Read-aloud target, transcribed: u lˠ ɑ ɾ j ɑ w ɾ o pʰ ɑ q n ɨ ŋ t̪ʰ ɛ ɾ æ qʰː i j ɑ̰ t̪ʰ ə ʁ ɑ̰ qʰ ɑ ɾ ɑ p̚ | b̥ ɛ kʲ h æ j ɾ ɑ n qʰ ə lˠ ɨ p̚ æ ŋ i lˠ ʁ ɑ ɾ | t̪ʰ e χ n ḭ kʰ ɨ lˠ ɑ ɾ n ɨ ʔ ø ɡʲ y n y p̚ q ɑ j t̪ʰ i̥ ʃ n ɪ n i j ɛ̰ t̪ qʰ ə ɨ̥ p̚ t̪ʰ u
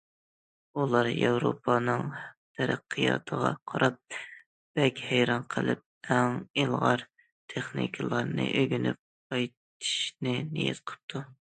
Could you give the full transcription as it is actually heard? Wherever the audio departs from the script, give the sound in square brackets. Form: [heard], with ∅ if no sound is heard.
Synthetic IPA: u lˠ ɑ ɾ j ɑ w ɾ o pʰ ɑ [∅] n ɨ ŋ t̪ʰ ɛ ɾ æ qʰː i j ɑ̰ t̪ʰ ə ʁ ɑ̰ qʰ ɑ ɾ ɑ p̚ | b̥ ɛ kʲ h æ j ɾ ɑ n qʰ ə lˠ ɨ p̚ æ ŋ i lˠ ʁ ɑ ɾ | t̪ʰ e χ n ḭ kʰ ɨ lˠ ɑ ɾ n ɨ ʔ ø ɡʲ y n y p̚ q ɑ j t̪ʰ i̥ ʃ n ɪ n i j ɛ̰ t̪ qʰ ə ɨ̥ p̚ t̪ʰ u